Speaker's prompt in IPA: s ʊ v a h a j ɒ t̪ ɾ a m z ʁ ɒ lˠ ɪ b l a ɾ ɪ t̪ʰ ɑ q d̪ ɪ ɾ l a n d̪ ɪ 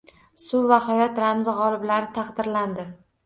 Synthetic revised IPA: s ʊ v a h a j ɒ t̪ ɾ a m z ʁ ɒ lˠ ɪ b l a ɾ ɪ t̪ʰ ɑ q d̪ ɪ ɾ l a n d̪ ɪ